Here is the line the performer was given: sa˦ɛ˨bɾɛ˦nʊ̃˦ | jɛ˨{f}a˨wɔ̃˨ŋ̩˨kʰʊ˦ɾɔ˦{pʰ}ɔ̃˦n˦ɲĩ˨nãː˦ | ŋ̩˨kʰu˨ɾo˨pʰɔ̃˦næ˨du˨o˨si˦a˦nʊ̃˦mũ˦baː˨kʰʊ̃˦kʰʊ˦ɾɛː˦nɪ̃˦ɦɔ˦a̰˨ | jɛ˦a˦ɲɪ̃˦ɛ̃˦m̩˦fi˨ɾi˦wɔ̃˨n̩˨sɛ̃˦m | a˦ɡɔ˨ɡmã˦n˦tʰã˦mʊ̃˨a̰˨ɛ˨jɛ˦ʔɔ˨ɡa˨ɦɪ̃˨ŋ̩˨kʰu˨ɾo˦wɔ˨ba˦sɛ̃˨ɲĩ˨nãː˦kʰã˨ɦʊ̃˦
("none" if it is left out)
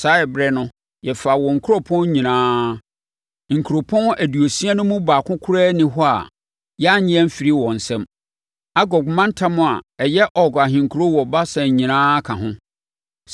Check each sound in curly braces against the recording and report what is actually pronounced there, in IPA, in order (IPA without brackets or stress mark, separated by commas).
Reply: f, pʰ